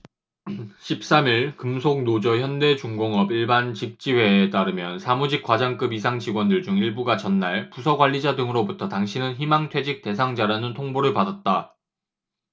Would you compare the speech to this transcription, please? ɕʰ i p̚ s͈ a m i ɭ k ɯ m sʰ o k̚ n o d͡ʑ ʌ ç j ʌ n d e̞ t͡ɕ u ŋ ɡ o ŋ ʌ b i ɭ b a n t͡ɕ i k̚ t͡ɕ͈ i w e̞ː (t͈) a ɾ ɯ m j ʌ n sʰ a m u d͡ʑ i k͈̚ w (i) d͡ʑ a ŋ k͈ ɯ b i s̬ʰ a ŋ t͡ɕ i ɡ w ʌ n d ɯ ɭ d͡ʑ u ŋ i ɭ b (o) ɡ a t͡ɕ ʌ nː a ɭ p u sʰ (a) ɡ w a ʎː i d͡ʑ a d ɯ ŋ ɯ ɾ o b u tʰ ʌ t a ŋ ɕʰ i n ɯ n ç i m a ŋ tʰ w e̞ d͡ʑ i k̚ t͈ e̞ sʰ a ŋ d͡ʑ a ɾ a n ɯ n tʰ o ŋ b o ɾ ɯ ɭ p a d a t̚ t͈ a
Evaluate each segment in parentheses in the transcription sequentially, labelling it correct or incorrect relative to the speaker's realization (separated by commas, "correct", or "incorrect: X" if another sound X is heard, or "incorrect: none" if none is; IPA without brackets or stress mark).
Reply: correct, incorrect: a, incorrect: u, incorrect: ʌ